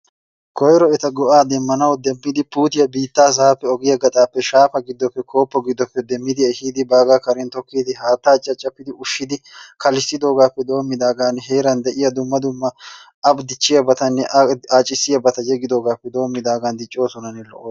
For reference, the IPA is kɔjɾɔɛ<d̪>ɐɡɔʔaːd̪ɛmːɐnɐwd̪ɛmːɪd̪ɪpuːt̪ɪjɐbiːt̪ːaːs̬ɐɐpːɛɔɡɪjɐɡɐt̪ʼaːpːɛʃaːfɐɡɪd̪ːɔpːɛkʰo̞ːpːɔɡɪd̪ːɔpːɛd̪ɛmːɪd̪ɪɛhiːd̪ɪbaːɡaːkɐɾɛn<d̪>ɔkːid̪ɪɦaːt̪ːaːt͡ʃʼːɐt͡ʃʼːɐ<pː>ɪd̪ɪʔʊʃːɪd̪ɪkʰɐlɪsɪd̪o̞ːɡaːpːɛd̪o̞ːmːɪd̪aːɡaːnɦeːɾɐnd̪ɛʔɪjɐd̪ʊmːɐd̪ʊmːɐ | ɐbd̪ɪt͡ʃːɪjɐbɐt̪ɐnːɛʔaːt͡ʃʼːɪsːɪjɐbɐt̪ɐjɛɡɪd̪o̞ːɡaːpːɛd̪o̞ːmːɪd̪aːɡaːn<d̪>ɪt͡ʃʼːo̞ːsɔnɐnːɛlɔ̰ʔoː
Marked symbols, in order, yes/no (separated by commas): no, no, yes, yes